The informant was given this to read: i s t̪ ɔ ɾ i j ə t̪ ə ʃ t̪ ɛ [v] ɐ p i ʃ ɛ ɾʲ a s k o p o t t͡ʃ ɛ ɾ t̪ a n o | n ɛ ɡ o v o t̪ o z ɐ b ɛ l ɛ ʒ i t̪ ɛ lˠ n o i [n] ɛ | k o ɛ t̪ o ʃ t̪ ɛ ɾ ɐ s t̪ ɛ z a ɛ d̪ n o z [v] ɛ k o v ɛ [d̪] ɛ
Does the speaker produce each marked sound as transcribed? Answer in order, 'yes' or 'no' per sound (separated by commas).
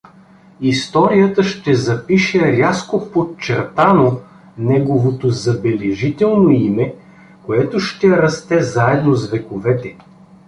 no, no, yes, no